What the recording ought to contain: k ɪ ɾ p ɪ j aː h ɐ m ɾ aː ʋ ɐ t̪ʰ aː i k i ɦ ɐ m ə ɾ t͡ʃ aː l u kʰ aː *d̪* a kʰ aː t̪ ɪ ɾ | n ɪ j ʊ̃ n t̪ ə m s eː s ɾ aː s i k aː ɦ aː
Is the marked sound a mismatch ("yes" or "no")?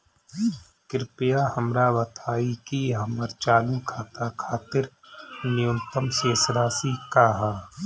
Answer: yes